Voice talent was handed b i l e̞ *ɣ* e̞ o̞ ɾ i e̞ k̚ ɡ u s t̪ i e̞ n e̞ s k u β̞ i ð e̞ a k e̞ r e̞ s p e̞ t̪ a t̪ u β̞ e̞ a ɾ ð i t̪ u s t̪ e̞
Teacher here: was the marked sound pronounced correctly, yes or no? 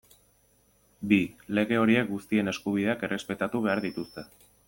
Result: yes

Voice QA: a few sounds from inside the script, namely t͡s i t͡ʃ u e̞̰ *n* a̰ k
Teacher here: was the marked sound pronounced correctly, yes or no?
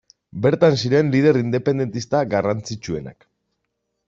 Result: yes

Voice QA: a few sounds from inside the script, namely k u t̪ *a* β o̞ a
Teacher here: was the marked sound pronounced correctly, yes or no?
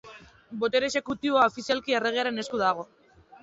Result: no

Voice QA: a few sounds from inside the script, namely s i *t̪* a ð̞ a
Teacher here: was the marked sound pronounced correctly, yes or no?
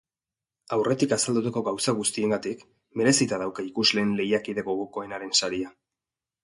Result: yes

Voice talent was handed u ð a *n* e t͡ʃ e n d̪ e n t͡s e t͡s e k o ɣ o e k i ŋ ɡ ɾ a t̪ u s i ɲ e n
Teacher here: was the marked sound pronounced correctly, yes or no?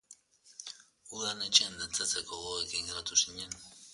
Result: yes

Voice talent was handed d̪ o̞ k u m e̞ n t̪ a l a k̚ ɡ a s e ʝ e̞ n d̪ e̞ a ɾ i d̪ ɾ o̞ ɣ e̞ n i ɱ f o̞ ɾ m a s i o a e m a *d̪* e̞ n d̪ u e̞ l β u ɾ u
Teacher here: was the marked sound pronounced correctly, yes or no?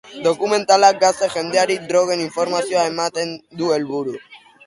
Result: no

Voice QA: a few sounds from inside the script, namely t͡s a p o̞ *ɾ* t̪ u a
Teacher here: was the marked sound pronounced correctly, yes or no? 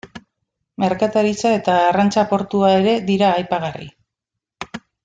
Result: yes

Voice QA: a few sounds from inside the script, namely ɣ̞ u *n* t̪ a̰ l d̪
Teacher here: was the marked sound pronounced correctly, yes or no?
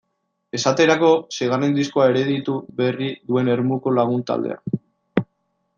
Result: yes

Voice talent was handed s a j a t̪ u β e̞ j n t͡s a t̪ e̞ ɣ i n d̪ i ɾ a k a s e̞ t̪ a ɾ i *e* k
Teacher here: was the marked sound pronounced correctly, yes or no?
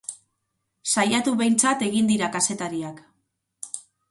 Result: no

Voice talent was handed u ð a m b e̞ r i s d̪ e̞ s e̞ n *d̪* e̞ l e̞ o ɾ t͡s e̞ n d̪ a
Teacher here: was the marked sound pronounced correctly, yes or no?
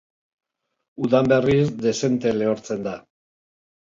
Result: no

